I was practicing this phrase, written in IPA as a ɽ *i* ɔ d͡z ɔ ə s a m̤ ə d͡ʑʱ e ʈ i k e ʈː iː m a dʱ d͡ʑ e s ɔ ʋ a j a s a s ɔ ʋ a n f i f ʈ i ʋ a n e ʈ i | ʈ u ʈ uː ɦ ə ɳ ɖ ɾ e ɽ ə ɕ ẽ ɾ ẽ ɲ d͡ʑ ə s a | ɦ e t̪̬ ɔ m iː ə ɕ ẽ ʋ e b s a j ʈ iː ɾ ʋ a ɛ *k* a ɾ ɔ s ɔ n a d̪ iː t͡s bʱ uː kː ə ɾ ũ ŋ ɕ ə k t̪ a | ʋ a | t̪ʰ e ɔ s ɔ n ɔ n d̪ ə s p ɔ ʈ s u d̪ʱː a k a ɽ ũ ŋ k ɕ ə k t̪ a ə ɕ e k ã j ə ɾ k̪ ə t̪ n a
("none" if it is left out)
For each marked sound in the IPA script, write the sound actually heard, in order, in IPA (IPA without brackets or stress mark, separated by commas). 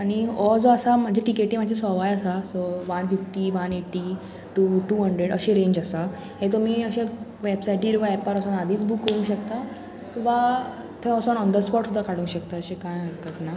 i, p